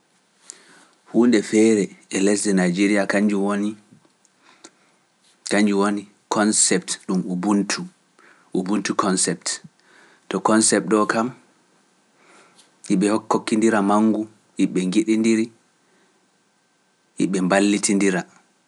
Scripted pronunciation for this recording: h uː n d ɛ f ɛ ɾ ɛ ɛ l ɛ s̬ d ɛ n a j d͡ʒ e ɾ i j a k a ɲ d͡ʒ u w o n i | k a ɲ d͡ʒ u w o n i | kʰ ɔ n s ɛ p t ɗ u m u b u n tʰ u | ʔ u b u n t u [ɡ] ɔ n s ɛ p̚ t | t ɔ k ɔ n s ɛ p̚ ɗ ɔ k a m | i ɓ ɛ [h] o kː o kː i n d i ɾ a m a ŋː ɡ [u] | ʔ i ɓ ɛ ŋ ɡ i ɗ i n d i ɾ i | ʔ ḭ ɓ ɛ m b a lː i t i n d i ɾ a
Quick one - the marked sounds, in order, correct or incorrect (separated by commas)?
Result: incorrect, correct, correct